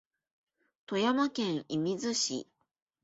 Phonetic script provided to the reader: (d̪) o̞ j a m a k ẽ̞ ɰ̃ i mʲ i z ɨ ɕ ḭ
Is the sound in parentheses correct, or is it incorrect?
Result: incorrect